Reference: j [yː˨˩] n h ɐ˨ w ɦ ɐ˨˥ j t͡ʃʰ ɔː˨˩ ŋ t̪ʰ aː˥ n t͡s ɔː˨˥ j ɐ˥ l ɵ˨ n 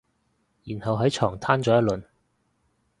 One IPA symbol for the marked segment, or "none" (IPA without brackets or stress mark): iː˨˩